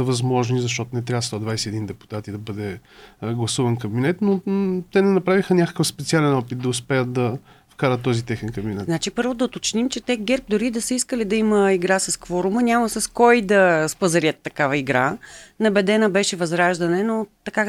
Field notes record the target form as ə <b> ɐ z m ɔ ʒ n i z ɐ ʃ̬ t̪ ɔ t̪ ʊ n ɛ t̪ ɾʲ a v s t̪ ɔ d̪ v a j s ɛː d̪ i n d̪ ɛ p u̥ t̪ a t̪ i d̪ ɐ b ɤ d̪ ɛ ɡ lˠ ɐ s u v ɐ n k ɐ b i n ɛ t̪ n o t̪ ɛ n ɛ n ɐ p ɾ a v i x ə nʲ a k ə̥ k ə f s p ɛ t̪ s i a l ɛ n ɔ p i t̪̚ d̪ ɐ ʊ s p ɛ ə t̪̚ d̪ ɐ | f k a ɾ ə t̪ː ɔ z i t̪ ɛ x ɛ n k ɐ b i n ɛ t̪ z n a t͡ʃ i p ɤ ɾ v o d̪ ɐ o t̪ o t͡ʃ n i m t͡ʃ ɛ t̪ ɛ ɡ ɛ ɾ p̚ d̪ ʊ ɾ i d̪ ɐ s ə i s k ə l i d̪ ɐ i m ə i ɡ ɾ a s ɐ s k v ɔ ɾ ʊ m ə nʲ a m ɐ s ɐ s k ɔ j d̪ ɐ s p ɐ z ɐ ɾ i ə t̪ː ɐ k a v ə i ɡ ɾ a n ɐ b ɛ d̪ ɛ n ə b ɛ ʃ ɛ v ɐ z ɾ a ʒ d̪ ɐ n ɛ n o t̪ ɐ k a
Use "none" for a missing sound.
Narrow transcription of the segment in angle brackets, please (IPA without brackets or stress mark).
v